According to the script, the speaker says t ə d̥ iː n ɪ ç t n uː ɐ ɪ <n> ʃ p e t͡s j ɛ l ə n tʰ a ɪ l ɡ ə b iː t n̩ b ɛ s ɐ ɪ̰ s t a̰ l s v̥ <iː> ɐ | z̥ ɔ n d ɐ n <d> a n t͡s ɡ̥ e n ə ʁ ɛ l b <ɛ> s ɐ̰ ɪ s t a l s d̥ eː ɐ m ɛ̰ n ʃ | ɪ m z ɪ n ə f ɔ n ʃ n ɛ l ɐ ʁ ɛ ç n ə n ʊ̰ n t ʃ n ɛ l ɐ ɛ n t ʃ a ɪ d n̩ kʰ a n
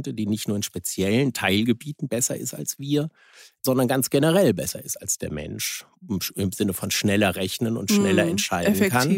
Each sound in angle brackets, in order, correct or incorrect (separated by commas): correct, correct, incorrect, correct